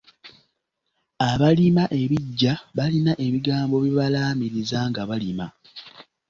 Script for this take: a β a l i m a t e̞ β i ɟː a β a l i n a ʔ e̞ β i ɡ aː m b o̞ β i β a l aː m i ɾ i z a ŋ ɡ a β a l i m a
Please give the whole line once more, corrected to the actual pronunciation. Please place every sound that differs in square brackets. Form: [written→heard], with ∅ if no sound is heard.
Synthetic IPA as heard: a β a l i m a [t→ʔ] e̞ β i ɟː a β a l i n a ʔ e̞ β i ɡ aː m b o̞ β i β a l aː m i ɾ i z a ŋ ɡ a β a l i m a